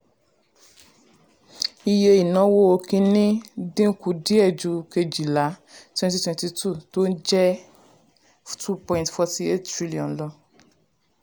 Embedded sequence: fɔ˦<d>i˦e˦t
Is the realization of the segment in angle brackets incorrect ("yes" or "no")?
yes